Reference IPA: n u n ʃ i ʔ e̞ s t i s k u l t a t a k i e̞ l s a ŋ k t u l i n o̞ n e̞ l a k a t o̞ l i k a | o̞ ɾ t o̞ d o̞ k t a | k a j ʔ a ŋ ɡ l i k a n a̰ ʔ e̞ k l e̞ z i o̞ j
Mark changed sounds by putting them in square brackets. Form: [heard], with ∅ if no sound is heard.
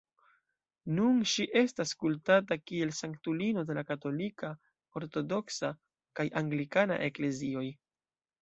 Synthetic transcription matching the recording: n u n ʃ i ʔ e̞ s t [a] s k u l t a t a k i e̞ l s a ŋ k t u l i n o̞ [d] e̞ l a k a t o̞ l i k a | o̞ ɾ t o̞ d o̞ k [s] a | k a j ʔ a ŋ ɡ l i k a n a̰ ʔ e̞ k l e̞ z i o̞ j